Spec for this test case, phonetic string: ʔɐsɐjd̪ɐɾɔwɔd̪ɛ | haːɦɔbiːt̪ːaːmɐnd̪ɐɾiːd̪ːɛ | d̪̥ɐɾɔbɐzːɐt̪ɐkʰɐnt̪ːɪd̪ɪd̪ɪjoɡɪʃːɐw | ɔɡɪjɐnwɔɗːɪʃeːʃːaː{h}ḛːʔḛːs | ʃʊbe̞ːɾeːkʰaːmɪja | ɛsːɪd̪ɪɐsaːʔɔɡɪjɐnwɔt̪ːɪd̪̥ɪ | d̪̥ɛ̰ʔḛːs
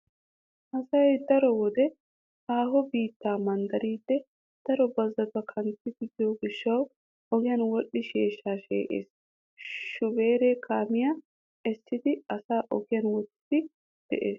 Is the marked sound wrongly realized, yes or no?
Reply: yes